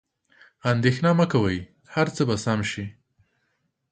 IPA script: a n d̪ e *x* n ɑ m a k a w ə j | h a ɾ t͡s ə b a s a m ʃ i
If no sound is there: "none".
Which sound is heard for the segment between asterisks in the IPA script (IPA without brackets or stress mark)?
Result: x